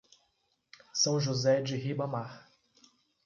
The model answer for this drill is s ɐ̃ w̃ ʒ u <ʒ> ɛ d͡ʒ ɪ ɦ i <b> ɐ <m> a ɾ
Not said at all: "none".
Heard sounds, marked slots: z, b, m

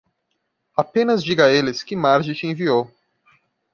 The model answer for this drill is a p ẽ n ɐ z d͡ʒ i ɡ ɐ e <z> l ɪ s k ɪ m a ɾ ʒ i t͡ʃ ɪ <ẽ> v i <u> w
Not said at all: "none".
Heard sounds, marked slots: none, ẽ, o

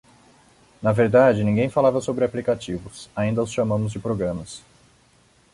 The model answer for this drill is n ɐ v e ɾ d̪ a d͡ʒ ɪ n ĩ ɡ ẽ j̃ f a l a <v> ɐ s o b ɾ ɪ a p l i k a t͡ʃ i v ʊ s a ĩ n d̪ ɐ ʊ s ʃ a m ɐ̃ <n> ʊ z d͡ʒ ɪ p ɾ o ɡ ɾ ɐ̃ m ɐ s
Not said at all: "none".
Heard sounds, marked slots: v, m

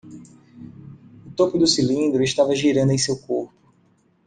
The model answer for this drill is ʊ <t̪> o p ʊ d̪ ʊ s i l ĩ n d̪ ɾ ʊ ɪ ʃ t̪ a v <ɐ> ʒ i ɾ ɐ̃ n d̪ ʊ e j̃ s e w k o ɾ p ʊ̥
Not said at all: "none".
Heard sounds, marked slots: t̪, ɐ

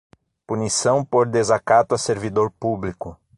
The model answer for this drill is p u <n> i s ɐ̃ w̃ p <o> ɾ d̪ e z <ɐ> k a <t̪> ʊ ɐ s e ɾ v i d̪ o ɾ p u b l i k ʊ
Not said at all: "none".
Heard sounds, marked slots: n, o, a, t̪

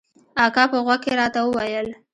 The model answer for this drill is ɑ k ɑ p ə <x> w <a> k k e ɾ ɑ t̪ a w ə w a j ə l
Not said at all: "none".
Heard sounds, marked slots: ɣ, a

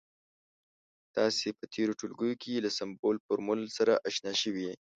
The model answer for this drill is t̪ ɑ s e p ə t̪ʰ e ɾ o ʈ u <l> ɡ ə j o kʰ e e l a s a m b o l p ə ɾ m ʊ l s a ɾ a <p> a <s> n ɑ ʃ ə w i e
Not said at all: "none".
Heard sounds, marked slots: l, ʔ, ʃ

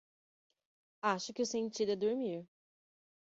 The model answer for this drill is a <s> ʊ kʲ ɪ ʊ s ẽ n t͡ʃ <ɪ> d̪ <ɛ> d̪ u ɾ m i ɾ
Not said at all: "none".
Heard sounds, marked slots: ʃ, i, ɛ

